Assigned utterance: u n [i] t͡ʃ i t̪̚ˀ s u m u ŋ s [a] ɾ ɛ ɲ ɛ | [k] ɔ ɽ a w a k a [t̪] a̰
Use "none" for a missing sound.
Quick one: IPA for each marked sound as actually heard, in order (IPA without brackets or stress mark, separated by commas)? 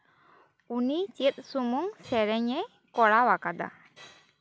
i, ɛ, k, d̪